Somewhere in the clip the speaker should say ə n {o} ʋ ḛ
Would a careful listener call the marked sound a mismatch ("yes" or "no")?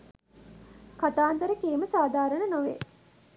no